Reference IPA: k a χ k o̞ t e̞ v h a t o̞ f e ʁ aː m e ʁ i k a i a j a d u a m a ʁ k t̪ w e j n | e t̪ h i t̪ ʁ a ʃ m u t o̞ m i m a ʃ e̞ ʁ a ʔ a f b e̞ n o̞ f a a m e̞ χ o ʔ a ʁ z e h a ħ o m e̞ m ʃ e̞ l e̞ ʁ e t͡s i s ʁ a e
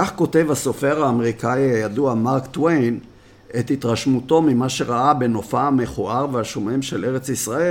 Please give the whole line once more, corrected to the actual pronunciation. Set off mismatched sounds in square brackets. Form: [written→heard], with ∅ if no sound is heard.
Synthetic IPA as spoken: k a χ k o̞ t e̞ v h a [t→s] o̞ f e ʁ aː m e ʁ i k a i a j a d u a m a ʁ k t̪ w e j n | e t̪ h i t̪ ʁ a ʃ m u t o̞ m i m a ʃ e̞ ʁ a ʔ a [f→∅] b e̞ n o̞ f a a m e̞ χ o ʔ a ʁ [z→v] e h a [ħ→ʃ] o m e̞ m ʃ e̞ l e̞ ʁ e t͡s i s ʁ a e